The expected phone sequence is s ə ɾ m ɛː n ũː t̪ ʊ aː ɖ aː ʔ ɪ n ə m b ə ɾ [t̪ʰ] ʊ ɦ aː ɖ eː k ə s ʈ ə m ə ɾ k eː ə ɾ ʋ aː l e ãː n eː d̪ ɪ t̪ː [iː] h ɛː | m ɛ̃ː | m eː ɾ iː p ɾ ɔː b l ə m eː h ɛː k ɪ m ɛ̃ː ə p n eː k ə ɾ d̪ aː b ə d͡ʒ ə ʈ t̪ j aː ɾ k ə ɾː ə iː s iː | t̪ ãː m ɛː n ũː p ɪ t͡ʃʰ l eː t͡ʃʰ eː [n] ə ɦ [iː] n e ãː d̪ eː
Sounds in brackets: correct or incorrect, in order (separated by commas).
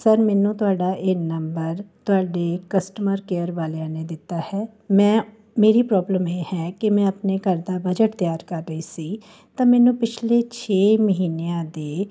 incorrect, incorrect, incorrect, correct